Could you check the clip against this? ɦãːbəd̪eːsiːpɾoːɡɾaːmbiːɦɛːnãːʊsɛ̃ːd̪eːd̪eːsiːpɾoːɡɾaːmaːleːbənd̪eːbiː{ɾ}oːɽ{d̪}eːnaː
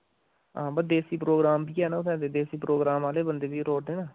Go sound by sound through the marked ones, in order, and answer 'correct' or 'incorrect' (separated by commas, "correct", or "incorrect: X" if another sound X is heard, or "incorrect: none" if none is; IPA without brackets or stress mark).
correct, correct